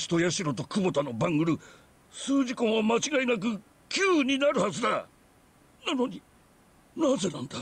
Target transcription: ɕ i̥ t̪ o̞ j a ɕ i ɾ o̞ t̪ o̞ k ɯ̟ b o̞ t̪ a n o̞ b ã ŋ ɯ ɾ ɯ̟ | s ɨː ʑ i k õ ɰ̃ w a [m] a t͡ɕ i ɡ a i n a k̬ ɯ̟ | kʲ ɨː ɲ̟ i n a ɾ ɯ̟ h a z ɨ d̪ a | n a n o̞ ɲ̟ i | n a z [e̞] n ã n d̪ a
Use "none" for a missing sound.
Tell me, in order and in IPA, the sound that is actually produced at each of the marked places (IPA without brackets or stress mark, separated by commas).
m, e̞